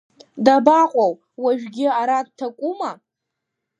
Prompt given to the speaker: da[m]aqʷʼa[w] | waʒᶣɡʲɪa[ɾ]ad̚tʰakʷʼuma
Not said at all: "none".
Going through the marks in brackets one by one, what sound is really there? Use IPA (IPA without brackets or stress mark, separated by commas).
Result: b, w, ɾ